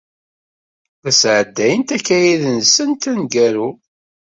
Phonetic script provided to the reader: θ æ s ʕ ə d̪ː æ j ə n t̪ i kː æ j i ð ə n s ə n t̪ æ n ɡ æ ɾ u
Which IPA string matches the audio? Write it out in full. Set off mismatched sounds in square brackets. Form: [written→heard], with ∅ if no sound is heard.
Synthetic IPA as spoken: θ æ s ʕ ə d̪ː æ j ə n t̪ [i→æ] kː æ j i ð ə n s ə n t̪ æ n ɡ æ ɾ u